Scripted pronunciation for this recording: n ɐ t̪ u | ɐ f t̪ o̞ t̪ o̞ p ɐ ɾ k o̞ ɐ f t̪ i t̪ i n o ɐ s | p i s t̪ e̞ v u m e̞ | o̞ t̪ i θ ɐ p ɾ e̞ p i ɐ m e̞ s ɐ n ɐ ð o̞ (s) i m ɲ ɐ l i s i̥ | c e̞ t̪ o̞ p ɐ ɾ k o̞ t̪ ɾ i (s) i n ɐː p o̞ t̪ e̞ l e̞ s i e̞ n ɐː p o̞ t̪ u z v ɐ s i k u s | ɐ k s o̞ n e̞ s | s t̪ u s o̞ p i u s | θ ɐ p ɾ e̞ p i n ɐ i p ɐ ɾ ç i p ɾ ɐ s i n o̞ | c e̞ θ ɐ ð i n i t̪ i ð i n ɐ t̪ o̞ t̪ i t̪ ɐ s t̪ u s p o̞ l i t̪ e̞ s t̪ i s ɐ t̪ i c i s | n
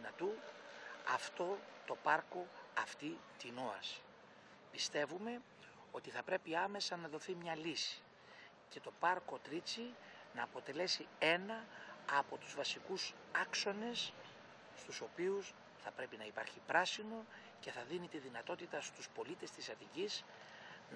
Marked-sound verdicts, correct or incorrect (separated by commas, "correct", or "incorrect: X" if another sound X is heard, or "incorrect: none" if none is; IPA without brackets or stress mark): incorrect: θ, incorrect: t͡s